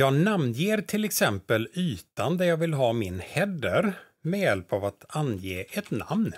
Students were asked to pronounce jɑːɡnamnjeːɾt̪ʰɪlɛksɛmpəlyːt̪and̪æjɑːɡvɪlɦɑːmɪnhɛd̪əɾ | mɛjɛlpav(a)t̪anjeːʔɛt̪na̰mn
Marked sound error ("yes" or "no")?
no